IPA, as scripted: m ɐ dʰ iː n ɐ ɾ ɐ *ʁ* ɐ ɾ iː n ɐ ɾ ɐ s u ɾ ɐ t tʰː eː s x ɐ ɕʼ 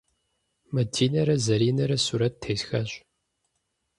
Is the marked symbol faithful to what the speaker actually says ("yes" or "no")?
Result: no